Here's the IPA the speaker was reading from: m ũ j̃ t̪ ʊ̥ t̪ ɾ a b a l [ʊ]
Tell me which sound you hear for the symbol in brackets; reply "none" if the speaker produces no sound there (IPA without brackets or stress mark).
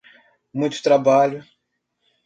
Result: ʊ